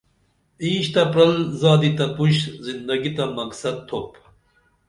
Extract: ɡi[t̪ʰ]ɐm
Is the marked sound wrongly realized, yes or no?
yes